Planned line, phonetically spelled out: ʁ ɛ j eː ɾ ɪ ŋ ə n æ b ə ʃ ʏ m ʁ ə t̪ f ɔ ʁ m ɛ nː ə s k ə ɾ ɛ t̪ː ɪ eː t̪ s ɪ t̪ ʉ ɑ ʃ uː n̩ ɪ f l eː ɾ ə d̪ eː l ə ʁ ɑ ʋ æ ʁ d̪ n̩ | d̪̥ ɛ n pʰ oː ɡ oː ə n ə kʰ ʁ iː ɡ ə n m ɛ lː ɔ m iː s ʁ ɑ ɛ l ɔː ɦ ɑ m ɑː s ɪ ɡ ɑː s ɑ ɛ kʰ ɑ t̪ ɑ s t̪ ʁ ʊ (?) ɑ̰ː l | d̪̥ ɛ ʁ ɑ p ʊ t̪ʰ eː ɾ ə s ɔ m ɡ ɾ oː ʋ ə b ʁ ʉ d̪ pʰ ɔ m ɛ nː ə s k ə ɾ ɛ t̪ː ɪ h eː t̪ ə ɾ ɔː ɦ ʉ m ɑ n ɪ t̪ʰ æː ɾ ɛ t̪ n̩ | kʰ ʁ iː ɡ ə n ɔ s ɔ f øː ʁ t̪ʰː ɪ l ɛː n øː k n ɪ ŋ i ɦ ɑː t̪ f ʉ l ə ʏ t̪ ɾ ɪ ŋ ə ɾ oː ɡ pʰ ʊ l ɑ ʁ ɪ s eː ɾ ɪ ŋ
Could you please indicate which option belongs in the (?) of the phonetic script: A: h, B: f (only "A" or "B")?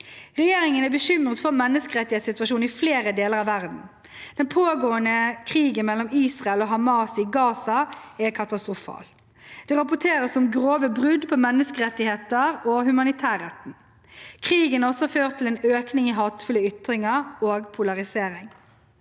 B